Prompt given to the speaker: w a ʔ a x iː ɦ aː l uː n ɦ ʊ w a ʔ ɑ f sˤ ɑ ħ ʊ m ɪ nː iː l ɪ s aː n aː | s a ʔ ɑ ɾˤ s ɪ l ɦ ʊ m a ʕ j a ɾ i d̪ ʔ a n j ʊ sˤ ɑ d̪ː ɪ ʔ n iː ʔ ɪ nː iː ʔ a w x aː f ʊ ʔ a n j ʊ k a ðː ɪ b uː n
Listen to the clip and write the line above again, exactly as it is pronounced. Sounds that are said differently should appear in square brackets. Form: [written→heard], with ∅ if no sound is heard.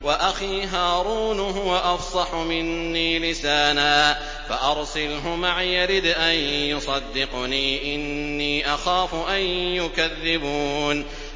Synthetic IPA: w a ʔ a x iː ɦ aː [l→ɾ] uː n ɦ ʊ w a ʔ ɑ f sˤ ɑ ħ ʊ m ɪ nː iː l ɪ s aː n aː | [s→f] a ʔ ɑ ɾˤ s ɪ l ɦ ʊ m a ʕ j a ɾ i d̪ ʔ a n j ʊ sˤ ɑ d̪ː ɪ [ʔ→q] n iː ʔ ɪ nː iː ʔ a [w→∅] x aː f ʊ ʔ a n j ʊ k a ðː ɪ b uː n